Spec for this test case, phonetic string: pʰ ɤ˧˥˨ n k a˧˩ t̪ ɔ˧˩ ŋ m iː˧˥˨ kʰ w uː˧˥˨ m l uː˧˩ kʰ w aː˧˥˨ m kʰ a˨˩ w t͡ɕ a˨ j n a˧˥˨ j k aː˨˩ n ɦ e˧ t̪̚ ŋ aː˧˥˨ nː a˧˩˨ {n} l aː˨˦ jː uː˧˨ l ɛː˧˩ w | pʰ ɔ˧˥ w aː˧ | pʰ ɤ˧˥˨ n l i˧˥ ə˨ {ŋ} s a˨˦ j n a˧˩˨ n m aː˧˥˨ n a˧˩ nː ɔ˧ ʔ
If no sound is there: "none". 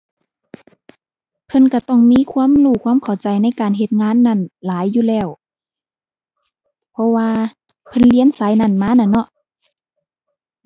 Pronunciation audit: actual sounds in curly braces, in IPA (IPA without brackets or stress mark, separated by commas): n, n